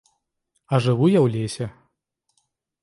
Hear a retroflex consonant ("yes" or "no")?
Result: yes